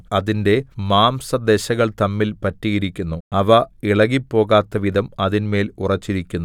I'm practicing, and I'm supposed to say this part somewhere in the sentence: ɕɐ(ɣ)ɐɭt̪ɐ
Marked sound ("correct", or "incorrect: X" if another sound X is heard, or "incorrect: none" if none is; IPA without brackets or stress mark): correct